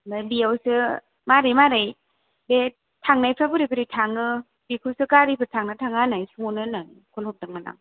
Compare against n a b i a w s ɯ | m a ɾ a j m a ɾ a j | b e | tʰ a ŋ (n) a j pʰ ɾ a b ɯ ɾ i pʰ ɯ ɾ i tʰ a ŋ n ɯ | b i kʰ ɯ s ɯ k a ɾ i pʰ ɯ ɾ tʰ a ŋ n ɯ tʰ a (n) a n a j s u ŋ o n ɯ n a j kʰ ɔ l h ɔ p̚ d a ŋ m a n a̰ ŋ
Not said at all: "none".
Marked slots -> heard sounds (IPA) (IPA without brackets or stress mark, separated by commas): n, ŋ